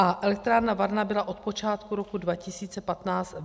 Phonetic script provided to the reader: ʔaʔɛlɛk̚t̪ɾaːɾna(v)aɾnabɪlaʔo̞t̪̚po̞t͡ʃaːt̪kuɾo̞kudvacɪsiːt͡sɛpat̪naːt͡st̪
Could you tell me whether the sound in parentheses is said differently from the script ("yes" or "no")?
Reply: no